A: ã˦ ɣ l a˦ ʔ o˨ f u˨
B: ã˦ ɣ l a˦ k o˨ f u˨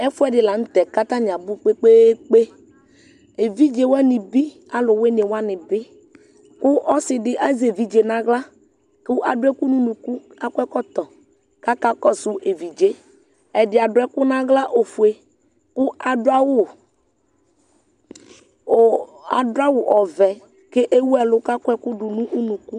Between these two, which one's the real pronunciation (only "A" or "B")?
A